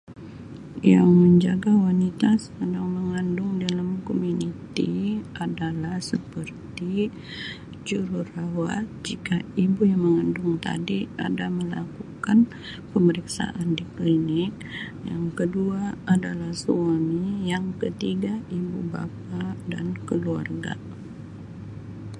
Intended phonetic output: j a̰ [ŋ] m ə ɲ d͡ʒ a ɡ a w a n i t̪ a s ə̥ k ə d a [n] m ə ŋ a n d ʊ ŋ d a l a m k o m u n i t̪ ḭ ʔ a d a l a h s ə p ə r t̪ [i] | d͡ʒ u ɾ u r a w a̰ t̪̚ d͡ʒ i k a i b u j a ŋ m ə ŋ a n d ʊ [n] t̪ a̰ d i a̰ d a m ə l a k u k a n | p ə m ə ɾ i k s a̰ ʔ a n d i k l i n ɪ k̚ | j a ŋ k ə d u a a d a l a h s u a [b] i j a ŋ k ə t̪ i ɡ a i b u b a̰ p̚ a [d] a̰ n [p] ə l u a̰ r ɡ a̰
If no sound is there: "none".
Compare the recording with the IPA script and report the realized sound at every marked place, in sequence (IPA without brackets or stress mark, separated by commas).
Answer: ŋ, ŋ, i, ŋ, m, d, k